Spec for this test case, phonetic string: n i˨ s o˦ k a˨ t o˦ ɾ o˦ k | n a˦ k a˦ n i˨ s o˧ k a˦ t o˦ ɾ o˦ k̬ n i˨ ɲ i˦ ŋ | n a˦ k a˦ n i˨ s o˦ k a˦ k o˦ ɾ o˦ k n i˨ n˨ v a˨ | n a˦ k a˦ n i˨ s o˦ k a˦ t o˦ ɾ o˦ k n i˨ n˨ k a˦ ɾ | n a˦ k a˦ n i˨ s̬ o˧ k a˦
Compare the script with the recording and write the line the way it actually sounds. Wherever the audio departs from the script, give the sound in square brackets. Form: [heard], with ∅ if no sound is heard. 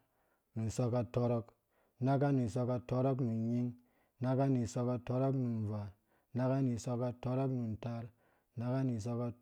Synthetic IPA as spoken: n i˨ s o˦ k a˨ t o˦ ɾ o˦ k | n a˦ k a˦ n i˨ s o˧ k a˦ t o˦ ɾ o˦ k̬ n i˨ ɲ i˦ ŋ | n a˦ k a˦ n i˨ s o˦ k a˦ [t] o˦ ɾ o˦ k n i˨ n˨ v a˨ | n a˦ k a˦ n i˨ s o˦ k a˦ t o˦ ɾ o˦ k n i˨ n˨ [t] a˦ ɾ | n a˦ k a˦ n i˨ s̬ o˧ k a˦